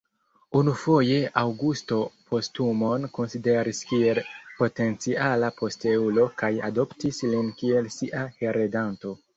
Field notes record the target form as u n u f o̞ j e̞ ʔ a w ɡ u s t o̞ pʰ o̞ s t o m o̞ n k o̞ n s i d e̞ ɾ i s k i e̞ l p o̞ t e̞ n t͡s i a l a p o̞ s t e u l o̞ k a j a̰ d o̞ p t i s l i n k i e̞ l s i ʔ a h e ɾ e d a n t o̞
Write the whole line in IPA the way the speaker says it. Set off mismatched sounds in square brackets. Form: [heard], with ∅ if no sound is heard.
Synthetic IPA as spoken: u n u f o̞ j e̞ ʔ a w ɡ u s t o̞ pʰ o̞ s t [u] m o̞ n k o̞ n s i d e̞ ɾ i s k i e̞ l p o̞ t e̞ n t͡s i a l a p o̞ s t e u l o̞ k a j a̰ d o̞ p t i s l i n k i e̞ l s i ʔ a h e ɾ e d a n t o̞